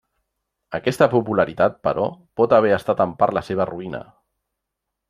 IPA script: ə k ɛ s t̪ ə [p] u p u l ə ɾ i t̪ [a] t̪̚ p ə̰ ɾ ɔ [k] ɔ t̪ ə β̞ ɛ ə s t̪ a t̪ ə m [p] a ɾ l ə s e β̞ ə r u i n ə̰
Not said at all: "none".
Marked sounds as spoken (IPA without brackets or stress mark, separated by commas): p, a, p, p